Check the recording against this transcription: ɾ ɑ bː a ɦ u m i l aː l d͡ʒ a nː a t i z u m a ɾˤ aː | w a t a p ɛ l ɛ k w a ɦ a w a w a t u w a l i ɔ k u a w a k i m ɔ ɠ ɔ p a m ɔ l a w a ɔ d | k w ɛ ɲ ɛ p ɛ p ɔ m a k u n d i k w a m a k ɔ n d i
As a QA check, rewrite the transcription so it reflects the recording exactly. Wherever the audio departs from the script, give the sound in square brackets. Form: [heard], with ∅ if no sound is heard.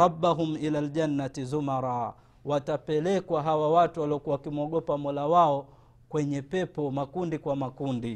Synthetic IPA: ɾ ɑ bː a ɦ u m i l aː l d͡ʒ a nː a t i z u m a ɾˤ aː | w a t a p ɛ l ɛ k w a ɦ a w a w a t u w a l i ɔ k u a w a k i m ɔ ɠ ɔ p a m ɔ l a w a ɔ [∅] | k w ɛ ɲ ɛ p ɛ p ɔ m a k u n d i k w a m a k [u] n d i